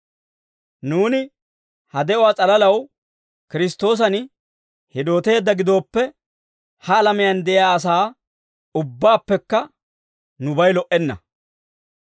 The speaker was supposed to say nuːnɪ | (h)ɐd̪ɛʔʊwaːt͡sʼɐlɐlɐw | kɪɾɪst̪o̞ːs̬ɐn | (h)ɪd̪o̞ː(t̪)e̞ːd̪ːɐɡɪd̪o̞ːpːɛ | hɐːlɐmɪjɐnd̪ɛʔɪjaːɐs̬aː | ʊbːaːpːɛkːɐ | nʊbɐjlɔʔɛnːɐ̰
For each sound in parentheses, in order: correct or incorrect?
correct, correct, correct

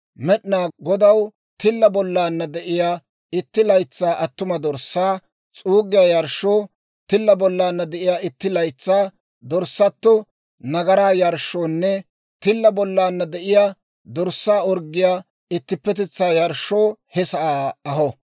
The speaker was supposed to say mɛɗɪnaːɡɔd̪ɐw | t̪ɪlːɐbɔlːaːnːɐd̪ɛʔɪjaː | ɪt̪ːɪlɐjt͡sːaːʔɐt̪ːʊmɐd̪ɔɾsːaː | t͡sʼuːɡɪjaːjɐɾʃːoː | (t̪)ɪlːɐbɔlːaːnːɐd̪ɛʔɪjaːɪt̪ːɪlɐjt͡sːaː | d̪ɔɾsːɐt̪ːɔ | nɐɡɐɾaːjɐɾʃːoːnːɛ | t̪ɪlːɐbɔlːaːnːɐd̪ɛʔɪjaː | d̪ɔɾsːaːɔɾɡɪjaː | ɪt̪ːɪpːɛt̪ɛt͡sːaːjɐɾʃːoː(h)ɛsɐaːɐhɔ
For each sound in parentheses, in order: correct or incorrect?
correct, correct

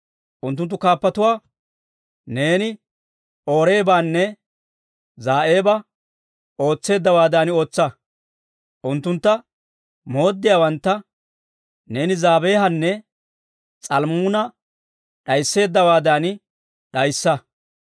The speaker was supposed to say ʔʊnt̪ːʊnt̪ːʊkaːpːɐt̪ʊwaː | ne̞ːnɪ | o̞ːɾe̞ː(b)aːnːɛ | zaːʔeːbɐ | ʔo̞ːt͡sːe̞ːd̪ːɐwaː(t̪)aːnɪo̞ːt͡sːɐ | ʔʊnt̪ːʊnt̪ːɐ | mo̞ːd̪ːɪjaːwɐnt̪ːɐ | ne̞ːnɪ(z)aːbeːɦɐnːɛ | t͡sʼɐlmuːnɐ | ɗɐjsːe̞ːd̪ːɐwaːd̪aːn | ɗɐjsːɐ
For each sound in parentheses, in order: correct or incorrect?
correct, incorrect: d̪, correct

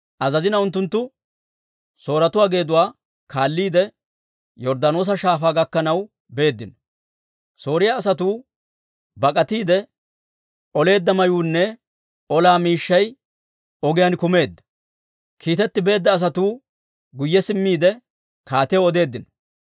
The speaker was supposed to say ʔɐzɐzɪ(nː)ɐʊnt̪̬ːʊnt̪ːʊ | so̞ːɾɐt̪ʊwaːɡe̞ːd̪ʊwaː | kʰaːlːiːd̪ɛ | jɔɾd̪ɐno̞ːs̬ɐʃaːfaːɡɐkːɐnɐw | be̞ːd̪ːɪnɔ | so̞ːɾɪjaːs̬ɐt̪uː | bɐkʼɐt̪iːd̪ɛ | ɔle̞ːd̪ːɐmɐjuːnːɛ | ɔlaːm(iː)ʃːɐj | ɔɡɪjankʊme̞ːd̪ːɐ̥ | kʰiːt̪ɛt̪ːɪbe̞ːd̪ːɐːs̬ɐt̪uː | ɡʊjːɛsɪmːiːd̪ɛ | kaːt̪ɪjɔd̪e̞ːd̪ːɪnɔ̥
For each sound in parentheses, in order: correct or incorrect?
incorrect: n, correct

